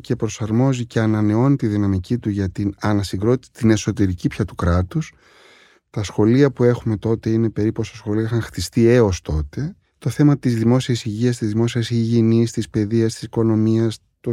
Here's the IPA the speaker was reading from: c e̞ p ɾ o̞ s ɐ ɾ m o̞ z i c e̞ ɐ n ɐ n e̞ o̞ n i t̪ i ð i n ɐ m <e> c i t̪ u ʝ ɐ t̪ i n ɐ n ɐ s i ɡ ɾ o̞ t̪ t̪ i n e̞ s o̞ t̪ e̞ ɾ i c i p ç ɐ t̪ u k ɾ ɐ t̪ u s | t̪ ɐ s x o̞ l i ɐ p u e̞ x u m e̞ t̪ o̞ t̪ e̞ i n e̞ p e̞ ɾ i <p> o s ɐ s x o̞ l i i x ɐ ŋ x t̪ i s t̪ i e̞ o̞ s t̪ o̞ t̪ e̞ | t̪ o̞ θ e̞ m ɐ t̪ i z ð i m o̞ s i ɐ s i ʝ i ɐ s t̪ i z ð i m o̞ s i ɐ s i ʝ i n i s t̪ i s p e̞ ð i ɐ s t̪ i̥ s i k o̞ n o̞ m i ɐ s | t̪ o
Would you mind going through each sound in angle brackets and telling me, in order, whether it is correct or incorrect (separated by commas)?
incorrect, correct